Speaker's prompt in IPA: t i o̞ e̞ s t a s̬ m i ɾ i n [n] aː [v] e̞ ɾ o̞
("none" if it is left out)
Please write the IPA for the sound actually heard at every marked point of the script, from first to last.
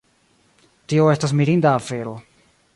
d, f

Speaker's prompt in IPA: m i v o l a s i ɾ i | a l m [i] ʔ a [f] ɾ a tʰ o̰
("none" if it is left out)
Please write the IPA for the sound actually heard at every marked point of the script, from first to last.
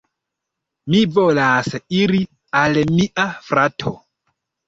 i, f

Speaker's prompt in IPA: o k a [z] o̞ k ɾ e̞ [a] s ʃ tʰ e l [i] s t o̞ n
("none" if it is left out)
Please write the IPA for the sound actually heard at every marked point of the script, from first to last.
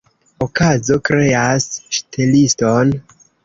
z, a, i

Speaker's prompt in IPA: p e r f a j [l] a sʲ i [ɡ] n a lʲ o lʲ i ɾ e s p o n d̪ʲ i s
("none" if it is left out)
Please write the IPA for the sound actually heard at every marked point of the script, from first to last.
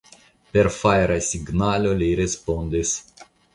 ɾ, ɡ

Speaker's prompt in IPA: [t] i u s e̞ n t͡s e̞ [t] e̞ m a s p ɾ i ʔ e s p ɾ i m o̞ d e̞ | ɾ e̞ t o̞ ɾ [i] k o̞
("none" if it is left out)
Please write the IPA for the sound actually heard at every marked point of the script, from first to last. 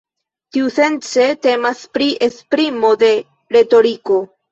t, t, i

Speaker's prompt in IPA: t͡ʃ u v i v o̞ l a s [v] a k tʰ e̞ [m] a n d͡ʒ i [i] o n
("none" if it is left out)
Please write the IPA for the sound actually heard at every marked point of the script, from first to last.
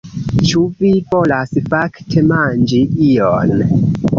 f, m, i

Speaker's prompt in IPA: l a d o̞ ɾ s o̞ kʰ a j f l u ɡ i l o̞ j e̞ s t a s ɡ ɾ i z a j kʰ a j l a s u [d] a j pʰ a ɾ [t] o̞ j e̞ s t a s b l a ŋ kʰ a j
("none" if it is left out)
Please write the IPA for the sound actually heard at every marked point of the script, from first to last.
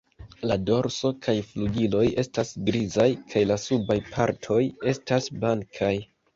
b, tʰ

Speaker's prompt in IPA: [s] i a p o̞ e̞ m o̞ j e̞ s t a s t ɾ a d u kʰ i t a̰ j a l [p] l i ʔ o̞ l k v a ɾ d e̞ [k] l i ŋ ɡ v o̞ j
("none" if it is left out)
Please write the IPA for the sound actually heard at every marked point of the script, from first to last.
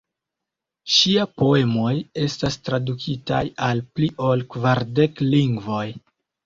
ʃ, p, k

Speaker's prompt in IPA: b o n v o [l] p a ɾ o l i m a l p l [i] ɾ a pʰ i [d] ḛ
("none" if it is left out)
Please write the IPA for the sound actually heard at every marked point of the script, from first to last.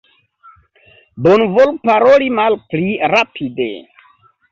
l, i, d

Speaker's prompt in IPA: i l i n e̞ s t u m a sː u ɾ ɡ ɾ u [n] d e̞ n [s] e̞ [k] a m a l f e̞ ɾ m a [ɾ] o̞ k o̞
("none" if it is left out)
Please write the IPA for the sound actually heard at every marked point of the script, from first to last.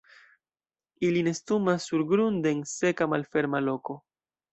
n, s, k, l

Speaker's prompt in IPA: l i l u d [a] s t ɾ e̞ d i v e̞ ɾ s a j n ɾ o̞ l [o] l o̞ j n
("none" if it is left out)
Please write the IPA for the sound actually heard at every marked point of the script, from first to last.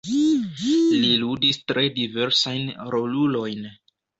i, u

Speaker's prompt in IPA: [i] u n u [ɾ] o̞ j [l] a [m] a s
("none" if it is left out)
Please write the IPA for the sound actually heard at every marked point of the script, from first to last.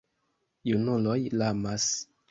j, l, l, m

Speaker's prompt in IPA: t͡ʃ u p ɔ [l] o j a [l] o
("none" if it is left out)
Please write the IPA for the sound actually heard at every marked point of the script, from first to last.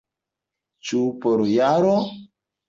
ɾ, ɾ

